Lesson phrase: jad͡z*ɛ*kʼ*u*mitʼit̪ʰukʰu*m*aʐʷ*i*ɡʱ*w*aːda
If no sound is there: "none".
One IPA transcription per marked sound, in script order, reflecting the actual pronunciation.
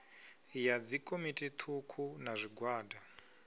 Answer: i, o, n, i, w

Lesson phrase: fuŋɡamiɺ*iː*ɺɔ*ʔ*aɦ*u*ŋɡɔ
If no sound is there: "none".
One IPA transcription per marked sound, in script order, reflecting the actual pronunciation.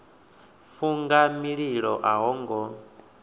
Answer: i, ʔ, ɔ

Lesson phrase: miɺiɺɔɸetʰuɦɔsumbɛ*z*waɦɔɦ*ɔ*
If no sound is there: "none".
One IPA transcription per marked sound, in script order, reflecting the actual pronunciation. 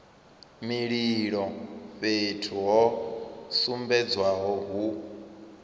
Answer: d͡z, u

